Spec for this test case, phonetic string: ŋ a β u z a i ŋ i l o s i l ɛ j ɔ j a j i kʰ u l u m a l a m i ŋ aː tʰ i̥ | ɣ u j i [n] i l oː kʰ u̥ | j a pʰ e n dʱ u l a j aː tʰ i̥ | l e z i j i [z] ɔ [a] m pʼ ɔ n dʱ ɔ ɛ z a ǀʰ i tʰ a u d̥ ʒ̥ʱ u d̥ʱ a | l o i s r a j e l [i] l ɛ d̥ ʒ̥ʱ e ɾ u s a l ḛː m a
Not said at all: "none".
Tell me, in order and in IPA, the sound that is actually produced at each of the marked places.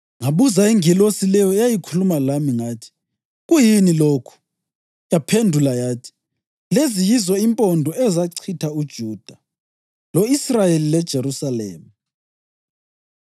n, z, i, i

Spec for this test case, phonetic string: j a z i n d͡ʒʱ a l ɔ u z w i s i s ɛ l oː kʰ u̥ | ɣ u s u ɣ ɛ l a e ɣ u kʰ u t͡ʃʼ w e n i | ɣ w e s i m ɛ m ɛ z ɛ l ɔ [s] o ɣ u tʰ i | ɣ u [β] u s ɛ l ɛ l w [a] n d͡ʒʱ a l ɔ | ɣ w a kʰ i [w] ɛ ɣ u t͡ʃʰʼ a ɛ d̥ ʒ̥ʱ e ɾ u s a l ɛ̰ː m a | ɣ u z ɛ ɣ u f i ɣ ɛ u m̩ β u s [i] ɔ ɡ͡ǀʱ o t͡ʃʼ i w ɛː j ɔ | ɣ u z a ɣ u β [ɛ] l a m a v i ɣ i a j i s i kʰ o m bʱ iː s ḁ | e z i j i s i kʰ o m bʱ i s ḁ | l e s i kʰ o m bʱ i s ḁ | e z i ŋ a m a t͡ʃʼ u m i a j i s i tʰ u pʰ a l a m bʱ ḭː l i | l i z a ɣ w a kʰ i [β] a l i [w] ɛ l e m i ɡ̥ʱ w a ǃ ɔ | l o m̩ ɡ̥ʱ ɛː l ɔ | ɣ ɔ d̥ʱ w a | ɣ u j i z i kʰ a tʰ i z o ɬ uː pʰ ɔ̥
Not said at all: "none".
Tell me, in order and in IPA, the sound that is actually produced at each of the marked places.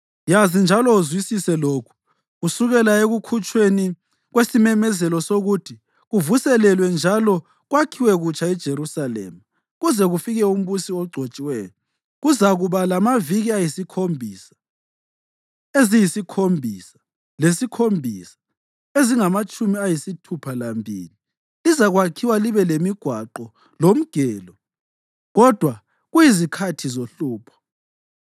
s, v, ɛ, w, i, a, w, β

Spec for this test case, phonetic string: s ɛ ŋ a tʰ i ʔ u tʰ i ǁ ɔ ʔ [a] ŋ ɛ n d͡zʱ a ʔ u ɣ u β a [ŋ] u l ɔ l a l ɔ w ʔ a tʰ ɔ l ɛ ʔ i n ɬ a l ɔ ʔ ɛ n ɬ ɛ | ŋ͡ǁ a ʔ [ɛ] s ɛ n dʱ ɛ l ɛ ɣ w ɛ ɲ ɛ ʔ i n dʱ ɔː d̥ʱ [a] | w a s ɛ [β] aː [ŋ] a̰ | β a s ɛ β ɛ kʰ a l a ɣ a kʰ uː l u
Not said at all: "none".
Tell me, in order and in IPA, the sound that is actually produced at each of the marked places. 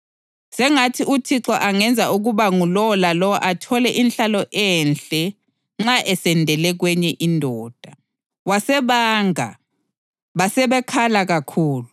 a, ŋ, ɛ, a, β, ŋ

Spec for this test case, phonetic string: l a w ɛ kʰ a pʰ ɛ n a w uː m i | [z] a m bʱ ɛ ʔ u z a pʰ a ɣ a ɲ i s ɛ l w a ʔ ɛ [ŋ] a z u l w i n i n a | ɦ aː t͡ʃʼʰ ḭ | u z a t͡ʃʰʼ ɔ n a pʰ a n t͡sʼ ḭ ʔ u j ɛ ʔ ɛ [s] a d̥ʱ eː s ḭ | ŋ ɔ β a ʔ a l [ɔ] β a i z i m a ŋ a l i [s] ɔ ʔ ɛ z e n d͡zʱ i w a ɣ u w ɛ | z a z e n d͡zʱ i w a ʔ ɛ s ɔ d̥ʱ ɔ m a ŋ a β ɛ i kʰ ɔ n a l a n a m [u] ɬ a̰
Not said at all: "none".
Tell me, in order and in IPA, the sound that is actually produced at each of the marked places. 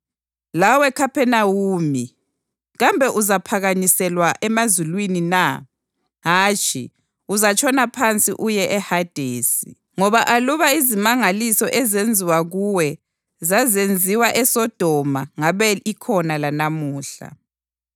ɣ, m, h, u, s, uː

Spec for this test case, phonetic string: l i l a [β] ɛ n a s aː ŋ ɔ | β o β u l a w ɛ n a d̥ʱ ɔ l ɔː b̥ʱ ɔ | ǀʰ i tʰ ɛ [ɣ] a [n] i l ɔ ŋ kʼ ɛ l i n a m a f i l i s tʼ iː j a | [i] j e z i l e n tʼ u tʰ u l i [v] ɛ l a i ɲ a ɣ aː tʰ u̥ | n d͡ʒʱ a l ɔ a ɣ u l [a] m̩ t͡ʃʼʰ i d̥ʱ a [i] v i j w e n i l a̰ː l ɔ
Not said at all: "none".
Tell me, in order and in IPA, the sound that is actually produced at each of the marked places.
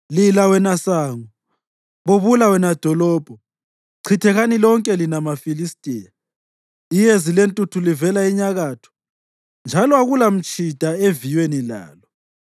w, ɣ, n, i, v, a, e

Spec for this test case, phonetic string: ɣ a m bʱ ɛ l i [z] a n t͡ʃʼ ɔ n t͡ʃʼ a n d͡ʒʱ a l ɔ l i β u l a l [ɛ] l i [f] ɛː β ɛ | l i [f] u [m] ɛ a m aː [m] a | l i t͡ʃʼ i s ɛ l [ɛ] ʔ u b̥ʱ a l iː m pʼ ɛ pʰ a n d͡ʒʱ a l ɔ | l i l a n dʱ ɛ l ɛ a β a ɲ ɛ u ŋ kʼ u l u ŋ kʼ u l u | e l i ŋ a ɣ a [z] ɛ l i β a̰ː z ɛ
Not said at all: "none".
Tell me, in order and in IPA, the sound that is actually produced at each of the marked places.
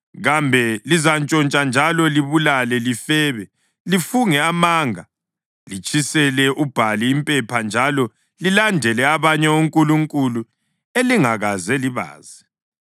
z, ɛ, f, f, ŋ, ŋ, ɛ, z

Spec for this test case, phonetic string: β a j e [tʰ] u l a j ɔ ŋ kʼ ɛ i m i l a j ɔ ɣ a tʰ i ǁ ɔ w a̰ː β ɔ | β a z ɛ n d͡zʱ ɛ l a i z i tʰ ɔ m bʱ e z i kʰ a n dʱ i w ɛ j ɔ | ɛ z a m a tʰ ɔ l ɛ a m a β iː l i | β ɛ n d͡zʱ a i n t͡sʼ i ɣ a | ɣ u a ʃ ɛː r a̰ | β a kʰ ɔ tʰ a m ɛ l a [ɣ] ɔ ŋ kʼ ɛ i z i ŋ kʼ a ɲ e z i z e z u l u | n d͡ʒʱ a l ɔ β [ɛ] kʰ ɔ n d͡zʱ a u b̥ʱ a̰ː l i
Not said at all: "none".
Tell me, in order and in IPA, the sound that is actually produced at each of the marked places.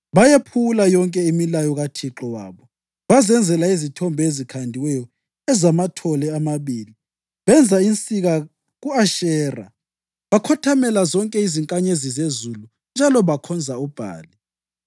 pʰ, z, a

